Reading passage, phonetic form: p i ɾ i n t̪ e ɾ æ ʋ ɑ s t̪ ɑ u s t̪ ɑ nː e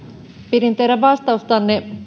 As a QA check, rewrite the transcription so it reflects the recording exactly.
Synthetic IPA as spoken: p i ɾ i n t̪ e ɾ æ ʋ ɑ s t̪ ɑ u s t̪ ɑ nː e